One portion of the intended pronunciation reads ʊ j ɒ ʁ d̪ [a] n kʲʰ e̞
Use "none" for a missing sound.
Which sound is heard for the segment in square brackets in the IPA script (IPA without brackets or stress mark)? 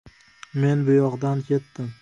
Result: a